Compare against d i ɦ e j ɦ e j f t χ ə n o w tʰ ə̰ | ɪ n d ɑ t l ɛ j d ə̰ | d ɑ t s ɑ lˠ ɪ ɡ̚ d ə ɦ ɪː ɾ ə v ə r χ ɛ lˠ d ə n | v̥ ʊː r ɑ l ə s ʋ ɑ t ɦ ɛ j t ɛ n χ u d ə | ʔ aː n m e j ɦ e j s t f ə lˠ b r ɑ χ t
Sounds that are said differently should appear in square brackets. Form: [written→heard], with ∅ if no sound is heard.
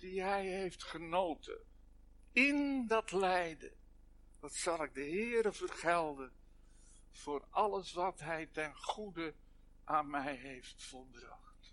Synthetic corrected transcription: d i ɦ [e→ɛ] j ɦ e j f t χ ə n o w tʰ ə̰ | ɪ n d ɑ t l ɛ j d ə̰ | d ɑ t s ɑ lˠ ɪ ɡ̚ d ə ɦ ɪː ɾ ə v ə r χ ɛ lˠ d ə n | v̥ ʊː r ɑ l ə s ʋ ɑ t ɦ ɛ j t ɛ n χ u d ə | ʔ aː n m [e→ɛ] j ɦ e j [s→f] t f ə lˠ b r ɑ χ t